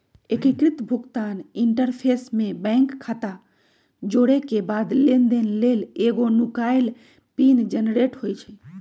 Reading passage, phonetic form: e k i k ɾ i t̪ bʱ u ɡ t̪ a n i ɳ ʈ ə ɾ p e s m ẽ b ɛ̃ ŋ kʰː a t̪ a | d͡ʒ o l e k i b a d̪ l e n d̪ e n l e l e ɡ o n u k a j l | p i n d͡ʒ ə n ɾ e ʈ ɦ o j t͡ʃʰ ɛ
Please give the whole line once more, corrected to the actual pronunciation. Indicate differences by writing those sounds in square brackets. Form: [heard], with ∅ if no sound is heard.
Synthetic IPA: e k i k ɾ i t̪ bʱ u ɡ t̪ a n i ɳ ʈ ə ɾ [pʰ] e s m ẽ b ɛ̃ ŋ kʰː a t̪ a | d͡ʒ o [ɽ] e k [e] b a d̪ l e n d̪ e n l e l e ɡ o n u k a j l | p i n d͡ʒ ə n ɾ e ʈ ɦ o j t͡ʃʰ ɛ